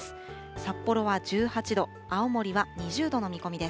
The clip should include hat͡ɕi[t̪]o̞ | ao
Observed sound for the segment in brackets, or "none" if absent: d̪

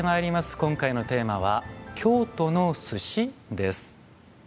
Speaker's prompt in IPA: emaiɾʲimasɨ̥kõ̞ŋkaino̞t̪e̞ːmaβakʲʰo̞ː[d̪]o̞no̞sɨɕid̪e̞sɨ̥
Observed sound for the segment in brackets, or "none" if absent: t̪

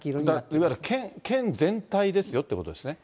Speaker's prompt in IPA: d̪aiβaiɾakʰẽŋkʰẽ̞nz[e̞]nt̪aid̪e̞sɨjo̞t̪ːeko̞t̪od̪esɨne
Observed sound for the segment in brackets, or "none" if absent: ẽ̞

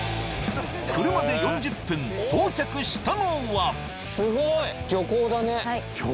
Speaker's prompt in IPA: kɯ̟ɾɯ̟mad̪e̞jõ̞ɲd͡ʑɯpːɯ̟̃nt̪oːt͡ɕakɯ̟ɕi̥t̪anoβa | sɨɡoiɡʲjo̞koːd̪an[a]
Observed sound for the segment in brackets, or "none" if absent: e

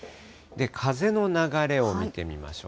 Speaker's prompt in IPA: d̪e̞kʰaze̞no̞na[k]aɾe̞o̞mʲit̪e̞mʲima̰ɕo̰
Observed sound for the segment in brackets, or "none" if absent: ɡ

